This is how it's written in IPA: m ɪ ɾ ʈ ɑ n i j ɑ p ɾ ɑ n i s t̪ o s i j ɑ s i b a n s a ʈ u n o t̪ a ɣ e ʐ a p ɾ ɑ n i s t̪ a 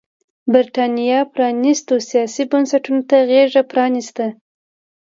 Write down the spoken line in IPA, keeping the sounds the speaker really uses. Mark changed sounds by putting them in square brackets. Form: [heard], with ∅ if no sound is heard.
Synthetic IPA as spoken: [b] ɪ ɾ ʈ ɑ n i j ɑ p ɾ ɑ n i s t̪ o s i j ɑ s i b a n s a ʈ u n o t̪ a ɣ e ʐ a p ɾ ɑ n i s t̪ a